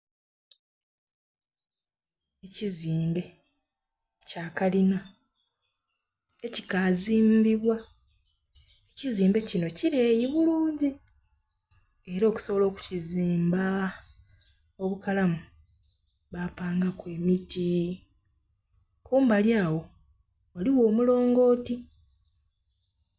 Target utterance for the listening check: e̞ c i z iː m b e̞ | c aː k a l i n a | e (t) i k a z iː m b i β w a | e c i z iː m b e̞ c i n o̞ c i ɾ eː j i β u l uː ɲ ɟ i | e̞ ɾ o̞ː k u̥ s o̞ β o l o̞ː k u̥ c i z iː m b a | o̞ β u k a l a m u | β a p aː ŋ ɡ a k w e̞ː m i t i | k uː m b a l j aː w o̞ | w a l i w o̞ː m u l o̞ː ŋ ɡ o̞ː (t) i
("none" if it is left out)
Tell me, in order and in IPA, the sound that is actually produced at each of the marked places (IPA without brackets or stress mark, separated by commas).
c, t